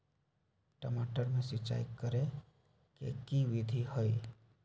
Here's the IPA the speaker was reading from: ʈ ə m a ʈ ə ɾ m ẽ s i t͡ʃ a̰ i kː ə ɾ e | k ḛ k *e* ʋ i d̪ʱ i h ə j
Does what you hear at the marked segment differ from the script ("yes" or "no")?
yes